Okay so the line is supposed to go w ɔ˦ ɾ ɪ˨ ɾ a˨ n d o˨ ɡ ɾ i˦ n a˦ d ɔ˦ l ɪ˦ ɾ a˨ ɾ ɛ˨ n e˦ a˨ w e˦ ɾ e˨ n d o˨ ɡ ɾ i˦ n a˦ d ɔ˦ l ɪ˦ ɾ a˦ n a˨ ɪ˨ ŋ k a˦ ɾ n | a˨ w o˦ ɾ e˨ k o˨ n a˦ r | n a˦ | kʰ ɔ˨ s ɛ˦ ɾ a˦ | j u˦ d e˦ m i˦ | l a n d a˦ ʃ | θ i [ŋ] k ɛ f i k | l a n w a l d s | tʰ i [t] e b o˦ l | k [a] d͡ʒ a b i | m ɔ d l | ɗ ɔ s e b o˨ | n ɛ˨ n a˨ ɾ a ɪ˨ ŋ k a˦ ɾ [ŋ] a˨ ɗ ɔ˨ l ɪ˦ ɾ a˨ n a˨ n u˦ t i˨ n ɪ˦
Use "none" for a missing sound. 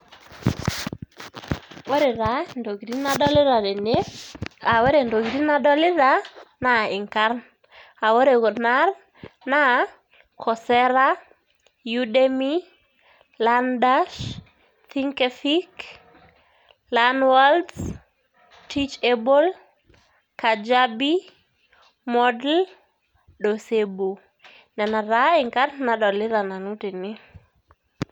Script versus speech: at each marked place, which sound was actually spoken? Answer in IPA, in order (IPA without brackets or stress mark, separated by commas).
ŋ, t͡ʃ, a, n